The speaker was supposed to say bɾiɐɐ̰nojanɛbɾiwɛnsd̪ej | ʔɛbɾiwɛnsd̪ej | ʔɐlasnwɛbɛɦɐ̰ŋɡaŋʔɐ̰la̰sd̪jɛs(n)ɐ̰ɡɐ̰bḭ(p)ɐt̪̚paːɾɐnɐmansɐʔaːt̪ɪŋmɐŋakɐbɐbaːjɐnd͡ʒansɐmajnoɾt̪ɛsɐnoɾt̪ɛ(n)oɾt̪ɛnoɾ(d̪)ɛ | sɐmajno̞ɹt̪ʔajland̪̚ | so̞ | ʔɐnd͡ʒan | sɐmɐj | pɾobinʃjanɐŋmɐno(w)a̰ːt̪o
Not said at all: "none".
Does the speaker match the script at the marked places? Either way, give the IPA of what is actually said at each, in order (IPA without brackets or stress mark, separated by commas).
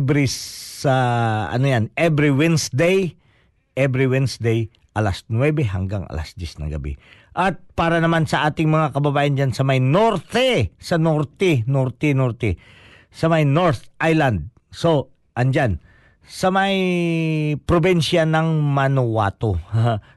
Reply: n, ʔ, n, t̪, w